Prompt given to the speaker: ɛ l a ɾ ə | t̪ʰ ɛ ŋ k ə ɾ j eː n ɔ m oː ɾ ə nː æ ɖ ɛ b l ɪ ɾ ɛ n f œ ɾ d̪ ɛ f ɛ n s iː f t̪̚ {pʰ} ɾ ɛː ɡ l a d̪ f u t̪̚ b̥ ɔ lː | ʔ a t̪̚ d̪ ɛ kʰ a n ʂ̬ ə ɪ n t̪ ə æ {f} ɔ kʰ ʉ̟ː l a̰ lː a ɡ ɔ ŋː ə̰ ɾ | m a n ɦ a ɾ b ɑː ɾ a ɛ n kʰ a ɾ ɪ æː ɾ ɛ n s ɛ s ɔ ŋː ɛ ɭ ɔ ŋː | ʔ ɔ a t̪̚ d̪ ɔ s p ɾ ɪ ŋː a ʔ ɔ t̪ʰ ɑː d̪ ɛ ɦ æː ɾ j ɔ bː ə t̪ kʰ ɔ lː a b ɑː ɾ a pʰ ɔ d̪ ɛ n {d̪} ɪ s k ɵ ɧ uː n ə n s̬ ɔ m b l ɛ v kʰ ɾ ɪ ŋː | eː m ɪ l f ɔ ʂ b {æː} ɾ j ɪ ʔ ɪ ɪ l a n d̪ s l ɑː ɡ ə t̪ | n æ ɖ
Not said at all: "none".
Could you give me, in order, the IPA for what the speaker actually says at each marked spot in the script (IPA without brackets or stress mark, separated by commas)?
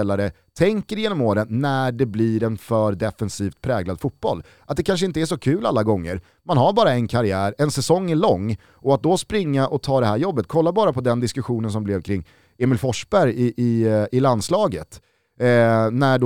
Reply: pʰ, ʂ, d̪, æ